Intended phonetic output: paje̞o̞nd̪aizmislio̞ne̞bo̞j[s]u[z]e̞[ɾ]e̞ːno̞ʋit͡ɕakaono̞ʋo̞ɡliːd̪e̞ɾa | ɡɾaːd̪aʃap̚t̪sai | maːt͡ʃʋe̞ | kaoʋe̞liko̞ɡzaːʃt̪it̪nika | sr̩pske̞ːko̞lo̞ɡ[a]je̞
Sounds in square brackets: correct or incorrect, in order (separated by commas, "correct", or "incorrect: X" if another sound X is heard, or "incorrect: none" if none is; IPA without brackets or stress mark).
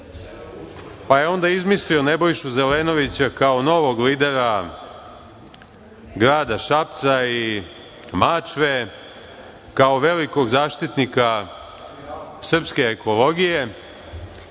incorrect: ʃ, correct, incorrect: l, incorrect: i